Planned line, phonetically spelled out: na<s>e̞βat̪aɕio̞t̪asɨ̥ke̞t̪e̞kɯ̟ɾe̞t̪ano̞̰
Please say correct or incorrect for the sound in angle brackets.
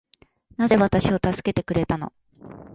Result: incorrect